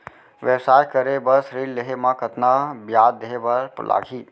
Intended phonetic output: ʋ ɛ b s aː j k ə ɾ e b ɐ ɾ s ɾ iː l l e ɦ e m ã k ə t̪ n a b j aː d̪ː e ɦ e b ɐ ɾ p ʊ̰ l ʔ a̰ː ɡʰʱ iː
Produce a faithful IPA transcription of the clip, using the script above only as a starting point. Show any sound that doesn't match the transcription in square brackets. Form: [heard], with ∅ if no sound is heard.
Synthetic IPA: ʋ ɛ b s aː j k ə ɾ e b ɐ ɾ s ɾ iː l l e ɦ e m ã k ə t̪ n a b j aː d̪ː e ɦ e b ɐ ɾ p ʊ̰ l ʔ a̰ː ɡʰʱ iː